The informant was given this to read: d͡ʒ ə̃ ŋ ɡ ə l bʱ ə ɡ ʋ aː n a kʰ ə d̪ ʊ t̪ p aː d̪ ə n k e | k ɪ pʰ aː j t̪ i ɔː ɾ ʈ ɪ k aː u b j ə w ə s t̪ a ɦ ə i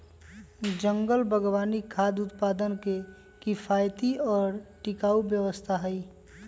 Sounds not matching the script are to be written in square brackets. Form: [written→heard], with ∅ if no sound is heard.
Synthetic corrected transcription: d͡ʒ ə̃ ŋ ɡ ə l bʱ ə ɡ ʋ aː n [a→i] kʰ [ə→a] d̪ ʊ t̪ p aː d̪ ə n k e | k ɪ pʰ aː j t̪ i ɔː ɾ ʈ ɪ k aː u b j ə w ə s [t̪→t̪ʰ] a ɦ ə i